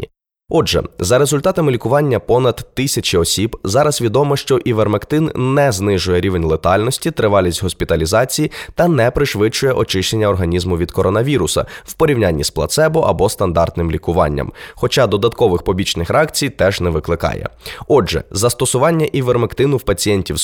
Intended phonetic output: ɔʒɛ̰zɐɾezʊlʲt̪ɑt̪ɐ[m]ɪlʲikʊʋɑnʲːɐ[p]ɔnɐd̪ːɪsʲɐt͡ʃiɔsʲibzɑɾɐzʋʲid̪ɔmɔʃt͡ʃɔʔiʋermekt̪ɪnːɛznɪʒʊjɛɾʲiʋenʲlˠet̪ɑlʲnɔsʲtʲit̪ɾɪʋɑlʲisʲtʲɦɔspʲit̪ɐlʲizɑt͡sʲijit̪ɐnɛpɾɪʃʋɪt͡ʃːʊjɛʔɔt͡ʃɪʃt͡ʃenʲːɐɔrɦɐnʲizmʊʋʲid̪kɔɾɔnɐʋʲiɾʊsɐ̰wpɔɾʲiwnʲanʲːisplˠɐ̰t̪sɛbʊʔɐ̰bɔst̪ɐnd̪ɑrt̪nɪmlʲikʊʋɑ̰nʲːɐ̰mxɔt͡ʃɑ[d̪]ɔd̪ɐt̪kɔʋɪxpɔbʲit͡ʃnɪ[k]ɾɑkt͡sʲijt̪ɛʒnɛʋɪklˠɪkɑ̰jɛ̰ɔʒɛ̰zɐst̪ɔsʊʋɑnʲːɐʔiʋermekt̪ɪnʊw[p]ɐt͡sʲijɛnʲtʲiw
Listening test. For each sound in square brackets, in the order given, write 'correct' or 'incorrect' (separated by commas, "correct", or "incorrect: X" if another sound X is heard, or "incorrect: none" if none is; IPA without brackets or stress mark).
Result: correct, correct, correct, incorrect: x, correct